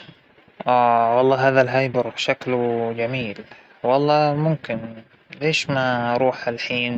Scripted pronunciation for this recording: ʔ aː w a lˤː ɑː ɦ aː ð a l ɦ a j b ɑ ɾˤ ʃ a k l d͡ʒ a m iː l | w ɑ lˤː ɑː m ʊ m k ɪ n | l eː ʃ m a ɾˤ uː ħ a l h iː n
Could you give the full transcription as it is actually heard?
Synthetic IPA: ʔ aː w ɑ lˤː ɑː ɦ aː ð a l ɦ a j b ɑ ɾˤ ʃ a k l d͡ʒ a m iː l | w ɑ lˤː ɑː m ʊ m k ɪ n | l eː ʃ m a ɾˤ uː ħ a l ħ iː n

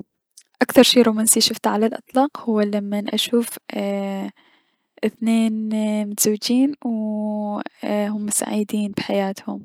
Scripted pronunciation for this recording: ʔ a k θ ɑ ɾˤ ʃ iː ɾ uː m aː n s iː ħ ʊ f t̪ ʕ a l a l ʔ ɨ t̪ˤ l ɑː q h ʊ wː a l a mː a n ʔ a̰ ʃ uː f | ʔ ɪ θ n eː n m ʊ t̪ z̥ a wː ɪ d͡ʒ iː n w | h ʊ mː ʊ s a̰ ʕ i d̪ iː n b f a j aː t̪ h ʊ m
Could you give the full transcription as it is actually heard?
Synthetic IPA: ʔ a k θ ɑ ɾˤ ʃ iː ɾ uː m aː n s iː ʃ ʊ f t̪ ʕ a l a l ʔ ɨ t̪ˤ l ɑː q h ʊ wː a l a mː a n ʔ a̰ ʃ uː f | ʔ ɪ θ n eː n m ʊ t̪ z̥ a wː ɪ d͡ʒ iː n w | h ʊ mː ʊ s a̰ ʕ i d̪ iː n b ħ a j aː t̪ h ʊ m

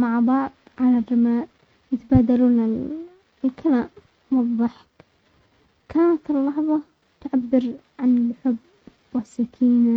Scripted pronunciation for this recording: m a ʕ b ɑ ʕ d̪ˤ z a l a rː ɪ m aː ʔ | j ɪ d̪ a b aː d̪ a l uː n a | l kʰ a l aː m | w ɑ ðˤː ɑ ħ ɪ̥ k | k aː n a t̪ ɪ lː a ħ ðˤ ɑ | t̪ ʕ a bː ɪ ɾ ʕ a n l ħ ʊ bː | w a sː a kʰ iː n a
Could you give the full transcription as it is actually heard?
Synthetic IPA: m a ʕ b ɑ ʕ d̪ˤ ʕ a l a rː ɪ m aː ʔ | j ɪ t̪ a b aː d̪ a l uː n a | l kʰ a l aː m | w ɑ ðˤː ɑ ħ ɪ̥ k | k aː n a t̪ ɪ lː ɑ ħ ðˤ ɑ | t̪ ʕ a bː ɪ ɾ ʕ a n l ħ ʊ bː | w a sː a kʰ iː n a

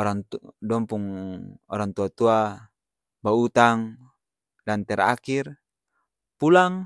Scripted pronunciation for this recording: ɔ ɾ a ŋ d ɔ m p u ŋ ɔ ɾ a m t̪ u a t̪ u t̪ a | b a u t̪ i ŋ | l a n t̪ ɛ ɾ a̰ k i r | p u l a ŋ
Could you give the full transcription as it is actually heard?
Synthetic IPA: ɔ ɾ a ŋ d ɔ m p u ŋ ɔ ɾ a ŋ t̪ u a t̪ u a | b a u t̪ a ŋ | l a n t̪ ɛ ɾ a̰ k i r | p u l a ŋ

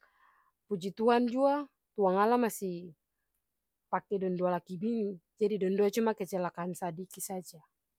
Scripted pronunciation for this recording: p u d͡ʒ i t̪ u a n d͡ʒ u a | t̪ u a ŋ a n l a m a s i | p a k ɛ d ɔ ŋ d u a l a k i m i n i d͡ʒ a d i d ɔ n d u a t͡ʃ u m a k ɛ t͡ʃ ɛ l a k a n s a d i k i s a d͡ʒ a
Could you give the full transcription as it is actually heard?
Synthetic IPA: p u d͡ʒ i t̪ u a n d͡ʒ u a | t̪ u a ŋ a l a m a s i | p a k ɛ d ɔ n d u a l a k i b i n i d͡ʒ a d i d ɔ n d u a t͡ʃ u m a k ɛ t͡ʃ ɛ l a k a n s a d i k i s a d͡ʒ a

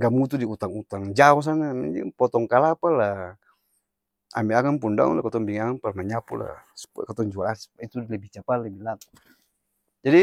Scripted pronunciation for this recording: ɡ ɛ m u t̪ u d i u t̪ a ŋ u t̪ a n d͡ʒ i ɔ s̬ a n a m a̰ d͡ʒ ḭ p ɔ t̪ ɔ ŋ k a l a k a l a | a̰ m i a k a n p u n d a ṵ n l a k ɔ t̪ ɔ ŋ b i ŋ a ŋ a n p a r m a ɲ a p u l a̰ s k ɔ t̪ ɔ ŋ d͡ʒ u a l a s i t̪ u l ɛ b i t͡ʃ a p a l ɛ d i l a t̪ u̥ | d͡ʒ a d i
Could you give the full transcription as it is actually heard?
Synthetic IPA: ɡ a m u t̪ u d i u t̪ a ŋ u t̪ a ŋ d͡ʒ a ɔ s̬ a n a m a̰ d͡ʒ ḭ p ɔ t̪ ɔ ŋ k a l a p a l a | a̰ m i a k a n p u n d a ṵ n l a k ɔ t̪ ɔ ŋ b i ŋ a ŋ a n p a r m a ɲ a p u l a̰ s k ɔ t̪ ɔ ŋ d͡ʒ u a l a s i t̪ u l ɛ b i t͡ʃ a p a l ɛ b i l a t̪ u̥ | d͡ʒ a d i

